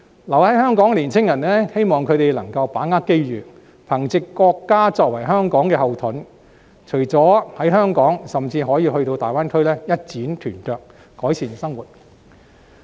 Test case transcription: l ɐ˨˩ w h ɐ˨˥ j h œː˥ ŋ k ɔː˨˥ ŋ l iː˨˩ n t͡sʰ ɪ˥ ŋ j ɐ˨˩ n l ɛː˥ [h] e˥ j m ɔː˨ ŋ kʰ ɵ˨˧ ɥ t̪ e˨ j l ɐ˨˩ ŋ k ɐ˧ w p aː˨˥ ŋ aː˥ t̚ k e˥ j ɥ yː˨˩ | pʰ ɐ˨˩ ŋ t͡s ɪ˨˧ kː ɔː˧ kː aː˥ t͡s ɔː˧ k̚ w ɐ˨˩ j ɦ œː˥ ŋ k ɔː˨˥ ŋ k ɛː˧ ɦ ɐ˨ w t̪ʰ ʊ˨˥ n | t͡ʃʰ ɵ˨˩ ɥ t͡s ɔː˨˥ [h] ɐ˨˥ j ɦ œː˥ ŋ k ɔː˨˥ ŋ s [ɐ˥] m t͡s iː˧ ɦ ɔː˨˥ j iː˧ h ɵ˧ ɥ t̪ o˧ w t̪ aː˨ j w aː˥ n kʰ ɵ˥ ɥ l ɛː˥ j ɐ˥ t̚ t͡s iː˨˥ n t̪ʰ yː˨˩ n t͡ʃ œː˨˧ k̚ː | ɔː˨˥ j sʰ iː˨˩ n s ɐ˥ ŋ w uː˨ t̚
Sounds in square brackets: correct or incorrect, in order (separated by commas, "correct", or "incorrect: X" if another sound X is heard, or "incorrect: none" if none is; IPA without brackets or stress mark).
correct, correct, incorrect: ɐ˨˩